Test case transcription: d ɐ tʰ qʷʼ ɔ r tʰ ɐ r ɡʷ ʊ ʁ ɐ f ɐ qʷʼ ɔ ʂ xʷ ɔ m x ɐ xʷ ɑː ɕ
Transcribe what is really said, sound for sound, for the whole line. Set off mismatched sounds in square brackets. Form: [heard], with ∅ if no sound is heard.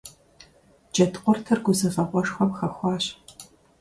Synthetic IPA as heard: [d͡ʒ] ɐ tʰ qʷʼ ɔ r tʰ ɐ r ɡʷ ʊ [z] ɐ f ɐ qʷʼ ɔ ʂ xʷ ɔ m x ɐ xʷ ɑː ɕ